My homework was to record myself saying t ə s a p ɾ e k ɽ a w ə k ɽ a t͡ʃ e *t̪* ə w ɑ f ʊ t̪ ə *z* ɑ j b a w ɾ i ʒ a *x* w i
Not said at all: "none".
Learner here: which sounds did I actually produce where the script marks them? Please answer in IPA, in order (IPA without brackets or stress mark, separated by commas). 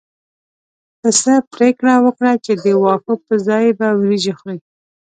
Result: d̪, z, x